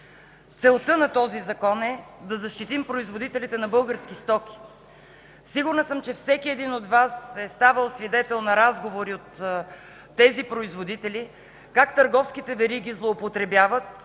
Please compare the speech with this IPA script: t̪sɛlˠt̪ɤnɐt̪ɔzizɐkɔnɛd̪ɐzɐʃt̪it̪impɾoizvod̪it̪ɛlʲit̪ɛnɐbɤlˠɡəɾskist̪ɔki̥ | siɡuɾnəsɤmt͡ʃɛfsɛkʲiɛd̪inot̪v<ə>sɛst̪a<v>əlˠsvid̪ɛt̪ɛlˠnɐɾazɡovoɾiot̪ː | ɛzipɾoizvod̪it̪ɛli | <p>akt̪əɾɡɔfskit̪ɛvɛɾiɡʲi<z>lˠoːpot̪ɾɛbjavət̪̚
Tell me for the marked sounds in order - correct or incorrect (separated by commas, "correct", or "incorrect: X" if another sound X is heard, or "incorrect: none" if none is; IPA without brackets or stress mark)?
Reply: incorrect: a, correct, incorrect: k, correct